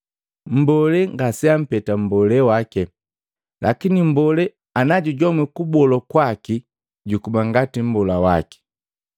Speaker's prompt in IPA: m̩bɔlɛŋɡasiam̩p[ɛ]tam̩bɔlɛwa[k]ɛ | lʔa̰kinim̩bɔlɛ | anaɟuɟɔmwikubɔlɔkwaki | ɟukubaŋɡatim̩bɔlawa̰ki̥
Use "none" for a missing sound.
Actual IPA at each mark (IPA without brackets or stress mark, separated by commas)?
ɛ, k